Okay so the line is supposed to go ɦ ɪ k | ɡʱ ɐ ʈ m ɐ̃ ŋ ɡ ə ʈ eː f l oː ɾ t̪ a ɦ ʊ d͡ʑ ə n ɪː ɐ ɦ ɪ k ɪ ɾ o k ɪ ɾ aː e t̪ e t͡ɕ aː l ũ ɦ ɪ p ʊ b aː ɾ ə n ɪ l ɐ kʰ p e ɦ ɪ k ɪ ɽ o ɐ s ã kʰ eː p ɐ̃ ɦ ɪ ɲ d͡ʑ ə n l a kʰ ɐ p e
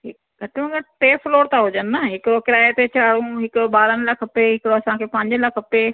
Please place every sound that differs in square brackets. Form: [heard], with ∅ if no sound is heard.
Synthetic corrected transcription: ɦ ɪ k | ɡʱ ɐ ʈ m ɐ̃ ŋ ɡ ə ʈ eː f l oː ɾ t̪ a ɦ ʊ d͡ʑ ə n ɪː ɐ ɦ ɪ k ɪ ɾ o k ɪ ɾ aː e t̪ e t͡ɕ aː [ɽ] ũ ɦ ɪ [k] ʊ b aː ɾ ə n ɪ l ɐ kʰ p e ɦ ɪ k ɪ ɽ o ɐ s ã kʰ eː p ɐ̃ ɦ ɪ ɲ d͡ʑ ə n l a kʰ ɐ p e